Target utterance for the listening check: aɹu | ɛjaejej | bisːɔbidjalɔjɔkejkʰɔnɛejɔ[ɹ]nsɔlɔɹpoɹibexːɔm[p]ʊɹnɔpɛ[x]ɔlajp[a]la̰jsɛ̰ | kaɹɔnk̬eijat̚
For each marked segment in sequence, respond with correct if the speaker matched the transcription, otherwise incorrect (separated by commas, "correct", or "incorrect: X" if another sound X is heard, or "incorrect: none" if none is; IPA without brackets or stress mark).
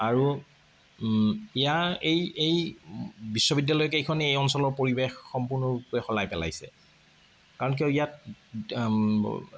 incorrect: none, correct, correct, incorrect: ɛ